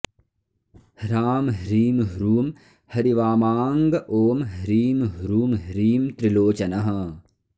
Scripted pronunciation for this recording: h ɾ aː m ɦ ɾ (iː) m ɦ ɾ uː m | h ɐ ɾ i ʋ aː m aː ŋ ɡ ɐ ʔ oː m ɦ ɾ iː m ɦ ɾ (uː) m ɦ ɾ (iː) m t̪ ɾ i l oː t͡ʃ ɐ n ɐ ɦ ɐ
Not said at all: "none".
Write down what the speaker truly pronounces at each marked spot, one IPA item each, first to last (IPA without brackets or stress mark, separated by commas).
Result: iː, uː, iː